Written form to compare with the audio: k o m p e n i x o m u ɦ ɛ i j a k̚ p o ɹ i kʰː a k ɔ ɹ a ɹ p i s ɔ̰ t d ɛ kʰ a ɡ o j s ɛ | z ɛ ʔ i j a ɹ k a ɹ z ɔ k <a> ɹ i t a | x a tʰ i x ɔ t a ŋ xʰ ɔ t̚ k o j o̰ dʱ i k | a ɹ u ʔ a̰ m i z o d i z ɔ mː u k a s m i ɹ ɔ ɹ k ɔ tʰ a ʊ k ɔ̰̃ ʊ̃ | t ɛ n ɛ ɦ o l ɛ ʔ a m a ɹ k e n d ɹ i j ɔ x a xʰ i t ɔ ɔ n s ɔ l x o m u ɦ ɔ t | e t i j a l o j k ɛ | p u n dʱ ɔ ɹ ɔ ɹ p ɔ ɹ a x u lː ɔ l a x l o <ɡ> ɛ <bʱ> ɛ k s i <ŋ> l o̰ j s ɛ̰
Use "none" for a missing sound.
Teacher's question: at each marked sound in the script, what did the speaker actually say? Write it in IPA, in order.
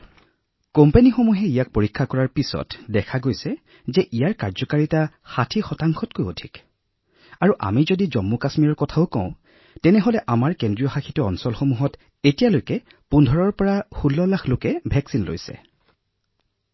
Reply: a, k, bʱ, n

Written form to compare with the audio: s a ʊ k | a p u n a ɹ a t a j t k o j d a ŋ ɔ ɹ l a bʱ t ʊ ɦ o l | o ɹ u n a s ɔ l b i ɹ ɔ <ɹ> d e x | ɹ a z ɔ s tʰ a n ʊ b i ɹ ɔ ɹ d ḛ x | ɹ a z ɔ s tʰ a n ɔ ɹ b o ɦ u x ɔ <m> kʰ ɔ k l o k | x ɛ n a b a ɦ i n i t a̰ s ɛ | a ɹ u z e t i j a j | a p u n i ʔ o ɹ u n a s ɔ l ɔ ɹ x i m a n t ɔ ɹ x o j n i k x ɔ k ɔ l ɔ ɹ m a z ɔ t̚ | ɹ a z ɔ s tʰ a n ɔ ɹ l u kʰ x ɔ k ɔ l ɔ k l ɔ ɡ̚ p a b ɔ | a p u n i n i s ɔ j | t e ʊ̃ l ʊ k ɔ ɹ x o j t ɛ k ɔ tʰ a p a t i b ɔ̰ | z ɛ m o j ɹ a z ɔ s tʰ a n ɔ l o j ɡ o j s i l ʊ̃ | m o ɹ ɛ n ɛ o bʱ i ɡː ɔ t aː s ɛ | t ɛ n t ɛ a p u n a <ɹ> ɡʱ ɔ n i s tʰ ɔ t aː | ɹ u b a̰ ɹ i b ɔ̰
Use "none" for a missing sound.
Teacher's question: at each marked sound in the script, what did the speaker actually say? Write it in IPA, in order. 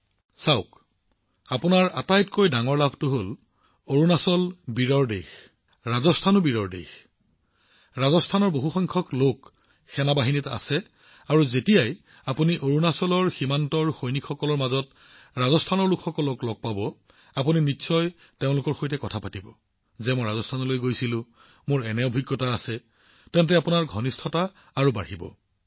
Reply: ɹ, ŋ, ɹ

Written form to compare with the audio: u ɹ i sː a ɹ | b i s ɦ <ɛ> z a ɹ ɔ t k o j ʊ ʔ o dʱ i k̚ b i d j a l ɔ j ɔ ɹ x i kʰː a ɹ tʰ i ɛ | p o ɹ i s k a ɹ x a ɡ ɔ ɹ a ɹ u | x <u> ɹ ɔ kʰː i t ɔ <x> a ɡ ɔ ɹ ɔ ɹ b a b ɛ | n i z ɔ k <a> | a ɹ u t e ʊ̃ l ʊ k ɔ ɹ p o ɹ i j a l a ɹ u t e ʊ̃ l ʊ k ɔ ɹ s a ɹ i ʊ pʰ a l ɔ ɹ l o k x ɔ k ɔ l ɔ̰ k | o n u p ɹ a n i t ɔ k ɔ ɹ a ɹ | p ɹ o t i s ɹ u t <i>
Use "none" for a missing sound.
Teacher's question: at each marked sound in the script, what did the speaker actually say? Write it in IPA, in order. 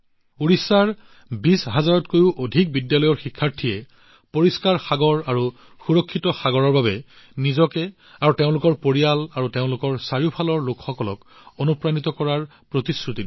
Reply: a, u, x, ɛ, i

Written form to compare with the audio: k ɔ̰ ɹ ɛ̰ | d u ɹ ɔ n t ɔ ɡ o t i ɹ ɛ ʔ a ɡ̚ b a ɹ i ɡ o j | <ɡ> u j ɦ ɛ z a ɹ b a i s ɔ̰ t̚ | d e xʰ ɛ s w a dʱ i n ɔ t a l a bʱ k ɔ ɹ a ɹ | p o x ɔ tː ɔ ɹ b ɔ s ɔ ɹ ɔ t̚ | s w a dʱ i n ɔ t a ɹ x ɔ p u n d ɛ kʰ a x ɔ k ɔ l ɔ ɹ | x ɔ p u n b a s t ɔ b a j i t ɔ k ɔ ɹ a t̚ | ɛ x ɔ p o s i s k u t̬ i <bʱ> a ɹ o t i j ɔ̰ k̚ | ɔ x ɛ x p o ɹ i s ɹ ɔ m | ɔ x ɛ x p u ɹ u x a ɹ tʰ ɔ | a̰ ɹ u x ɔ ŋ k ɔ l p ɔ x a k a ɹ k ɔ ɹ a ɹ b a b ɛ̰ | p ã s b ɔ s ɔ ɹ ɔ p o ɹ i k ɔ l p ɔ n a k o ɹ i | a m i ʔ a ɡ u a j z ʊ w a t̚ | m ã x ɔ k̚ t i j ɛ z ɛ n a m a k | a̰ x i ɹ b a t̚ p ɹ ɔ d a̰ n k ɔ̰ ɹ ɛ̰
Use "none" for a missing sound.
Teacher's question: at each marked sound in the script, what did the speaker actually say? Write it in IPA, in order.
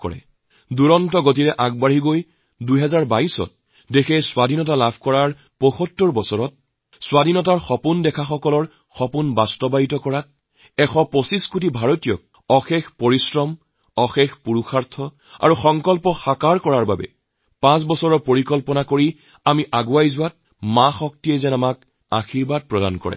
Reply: d, bʱ

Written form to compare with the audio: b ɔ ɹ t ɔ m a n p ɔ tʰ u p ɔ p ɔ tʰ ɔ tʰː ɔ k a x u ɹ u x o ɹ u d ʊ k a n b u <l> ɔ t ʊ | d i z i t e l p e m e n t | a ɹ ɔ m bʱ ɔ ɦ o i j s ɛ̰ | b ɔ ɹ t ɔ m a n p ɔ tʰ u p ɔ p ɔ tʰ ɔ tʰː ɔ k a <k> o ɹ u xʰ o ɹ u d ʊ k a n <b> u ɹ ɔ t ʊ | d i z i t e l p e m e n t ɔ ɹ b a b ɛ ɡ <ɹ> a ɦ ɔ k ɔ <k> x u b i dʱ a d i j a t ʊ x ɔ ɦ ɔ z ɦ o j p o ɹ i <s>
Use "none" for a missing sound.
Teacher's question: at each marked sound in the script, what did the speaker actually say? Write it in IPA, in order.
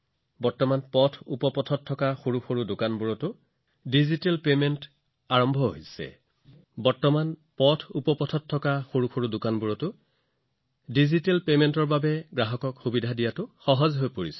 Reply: ɹ, x, b, ɹ, k, s

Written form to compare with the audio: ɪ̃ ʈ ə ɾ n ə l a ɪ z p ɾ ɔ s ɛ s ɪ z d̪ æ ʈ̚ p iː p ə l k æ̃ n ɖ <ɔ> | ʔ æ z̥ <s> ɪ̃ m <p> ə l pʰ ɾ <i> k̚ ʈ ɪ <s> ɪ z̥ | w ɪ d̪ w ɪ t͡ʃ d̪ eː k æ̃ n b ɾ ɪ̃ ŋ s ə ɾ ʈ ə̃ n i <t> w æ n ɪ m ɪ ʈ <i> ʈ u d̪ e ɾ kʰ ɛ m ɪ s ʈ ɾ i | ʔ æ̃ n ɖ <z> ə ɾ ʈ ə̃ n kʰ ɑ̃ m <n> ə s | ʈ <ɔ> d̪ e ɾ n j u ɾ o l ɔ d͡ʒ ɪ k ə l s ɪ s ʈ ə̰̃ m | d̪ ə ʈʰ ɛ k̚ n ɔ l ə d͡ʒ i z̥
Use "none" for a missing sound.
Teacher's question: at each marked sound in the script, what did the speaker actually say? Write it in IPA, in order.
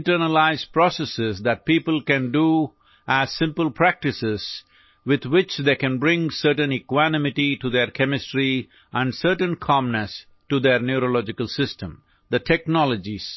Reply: u, s, p, æ, s, k, i, s, n, u

